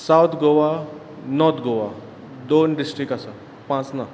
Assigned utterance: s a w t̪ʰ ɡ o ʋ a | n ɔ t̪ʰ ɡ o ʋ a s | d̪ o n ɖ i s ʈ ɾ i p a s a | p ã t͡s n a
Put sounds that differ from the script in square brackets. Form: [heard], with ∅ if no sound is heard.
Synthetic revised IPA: s a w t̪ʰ ɡ o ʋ a | n ɔ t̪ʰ ɡ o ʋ a [∅] | d̪ o n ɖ i s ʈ ɾ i [k] a s a | p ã t͡s n a